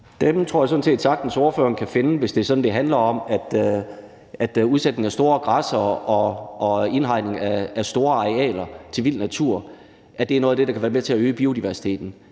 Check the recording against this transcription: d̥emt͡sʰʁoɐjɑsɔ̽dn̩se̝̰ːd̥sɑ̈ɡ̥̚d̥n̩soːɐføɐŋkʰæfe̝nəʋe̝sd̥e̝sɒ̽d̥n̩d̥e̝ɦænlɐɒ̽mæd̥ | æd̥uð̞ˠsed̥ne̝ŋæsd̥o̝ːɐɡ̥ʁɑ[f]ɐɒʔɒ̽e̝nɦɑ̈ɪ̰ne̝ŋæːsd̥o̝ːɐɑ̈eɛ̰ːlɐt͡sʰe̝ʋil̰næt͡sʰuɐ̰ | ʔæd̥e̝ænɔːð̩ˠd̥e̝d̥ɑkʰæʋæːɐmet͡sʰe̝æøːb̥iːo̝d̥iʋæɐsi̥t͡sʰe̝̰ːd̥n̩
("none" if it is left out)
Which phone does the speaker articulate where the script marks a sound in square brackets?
s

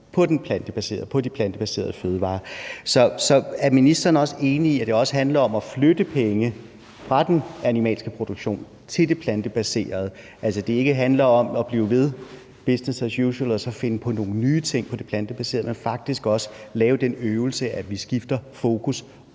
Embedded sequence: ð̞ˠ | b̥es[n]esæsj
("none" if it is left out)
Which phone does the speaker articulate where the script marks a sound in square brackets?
n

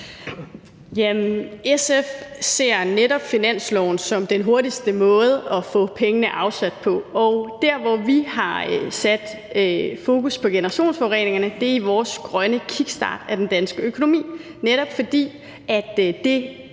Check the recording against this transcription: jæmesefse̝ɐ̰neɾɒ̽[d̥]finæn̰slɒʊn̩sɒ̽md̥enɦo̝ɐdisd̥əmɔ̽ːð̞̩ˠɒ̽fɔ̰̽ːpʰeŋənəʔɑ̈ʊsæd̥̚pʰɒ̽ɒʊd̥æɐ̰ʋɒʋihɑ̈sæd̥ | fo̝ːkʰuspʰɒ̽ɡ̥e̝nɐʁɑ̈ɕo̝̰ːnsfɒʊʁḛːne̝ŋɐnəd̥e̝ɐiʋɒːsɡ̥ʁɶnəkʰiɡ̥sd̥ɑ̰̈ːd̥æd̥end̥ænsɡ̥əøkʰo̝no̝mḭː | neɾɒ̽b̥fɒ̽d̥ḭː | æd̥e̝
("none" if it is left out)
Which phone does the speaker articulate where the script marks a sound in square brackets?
b̥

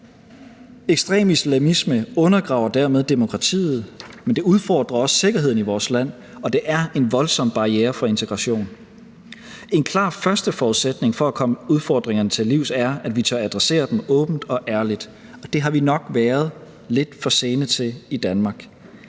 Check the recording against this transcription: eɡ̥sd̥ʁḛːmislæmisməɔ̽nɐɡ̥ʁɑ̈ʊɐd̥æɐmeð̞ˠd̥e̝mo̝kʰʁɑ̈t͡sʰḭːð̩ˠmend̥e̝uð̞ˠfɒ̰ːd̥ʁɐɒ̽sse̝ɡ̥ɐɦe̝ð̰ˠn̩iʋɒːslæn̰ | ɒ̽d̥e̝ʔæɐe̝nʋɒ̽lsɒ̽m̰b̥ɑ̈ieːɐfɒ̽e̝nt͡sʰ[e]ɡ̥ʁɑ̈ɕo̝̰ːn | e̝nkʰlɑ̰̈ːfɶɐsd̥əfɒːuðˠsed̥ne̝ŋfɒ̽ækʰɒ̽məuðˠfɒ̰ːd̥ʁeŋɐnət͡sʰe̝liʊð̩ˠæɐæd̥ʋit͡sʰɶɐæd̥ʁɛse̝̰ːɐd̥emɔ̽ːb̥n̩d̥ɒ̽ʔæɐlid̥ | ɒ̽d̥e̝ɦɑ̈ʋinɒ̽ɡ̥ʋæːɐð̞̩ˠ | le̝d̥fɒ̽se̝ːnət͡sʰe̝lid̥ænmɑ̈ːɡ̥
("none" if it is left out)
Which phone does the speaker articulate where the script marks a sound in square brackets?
e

